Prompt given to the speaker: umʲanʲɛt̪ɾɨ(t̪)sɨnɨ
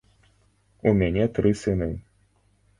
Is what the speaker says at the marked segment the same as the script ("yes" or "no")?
no